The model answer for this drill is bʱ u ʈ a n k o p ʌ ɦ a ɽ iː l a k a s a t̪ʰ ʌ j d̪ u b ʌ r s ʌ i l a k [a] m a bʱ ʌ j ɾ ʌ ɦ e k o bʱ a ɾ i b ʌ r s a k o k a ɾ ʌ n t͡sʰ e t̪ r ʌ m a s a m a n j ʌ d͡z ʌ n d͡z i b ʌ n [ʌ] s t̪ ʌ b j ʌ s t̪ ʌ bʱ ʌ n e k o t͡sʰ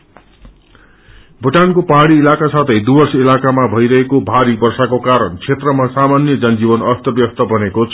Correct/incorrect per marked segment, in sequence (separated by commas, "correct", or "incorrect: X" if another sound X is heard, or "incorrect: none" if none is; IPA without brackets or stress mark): correct, correct